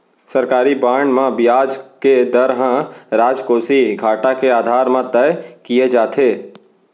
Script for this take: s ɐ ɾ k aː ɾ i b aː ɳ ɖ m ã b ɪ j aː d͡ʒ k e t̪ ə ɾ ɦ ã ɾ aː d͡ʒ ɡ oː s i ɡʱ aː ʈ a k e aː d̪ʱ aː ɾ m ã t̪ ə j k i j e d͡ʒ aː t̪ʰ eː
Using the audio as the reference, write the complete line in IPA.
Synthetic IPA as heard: s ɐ ɾ k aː ɾ i b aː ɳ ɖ m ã b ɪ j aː d͡ʒ k e d̪ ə ɾ ɦ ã ɾ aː d͡ʒ k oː s i ɡʱ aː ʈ a k e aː d̪ʱ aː ɾ m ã t̪ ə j k i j e d͡ʒ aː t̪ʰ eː